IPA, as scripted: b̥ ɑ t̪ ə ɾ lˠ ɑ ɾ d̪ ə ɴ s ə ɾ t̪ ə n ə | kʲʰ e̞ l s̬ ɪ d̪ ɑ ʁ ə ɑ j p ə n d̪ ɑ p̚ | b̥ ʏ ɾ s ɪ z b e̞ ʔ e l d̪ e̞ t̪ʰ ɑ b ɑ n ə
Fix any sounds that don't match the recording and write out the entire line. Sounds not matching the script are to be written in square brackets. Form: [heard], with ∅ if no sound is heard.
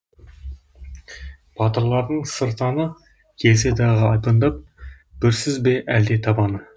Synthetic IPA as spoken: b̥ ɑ t̪ ə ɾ lˠ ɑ ɾ d̪ ə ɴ s ə ɾ t̪ [ɑ] n ə | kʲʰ e̞ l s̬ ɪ d̪ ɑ ʁ ə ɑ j p ə n d̪ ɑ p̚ | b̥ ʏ ɾ s ɪ z b e̞ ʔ [æ] l d̪ e̞ t̪ʰ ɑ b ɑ n ə